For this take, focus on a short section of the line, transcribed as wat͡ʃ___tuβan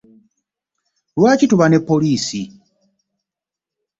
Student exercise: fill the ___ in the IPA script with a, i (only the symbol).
i